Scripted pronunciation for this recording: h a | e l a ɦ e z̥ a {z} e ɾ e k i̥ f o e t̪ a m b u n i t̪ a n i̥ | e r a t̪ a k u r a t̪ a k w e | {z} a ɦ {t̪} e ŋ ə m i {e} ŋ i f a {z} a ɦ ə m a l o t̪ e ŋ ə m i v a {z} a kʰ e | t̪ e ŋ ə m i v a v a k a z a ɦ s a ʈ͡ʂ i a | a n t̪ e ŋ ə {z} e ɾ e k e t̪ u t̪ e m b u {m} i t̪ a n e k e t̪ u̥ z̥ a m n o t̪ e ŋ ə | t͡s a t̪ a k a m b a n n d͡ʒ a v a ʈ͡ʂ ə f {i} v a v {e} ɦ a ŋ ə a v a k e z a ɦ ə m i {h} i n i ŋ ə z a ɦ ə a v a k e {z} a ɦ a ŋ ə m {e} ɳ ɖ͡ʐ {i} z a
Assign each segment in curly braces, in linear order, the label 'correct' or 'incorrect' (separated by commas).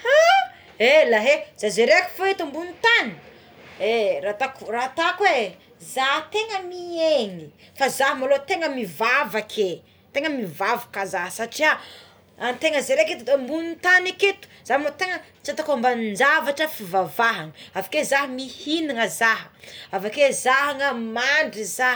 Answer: correct, correct, correct, correct, correct, incorrect, correct, incorrect, correct, incorrect, correct, correct, incorrect, correct